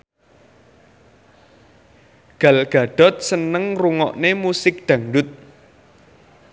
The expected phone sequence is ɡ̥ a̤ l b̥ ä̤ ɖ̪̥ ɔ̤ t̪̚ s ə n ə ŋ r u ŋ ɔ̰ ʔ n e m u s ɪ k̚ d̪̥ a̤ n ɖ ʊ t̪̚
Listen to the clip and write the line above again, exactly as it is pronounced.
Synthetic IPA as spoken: ɡ̥ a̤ l ɡ̥ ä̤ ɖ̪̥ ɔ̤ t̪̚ s ə n ə ŋ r u ŋ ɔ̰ ʔ n e m u s ɪ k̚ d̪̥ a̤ ŋ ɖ ʊ t̪̚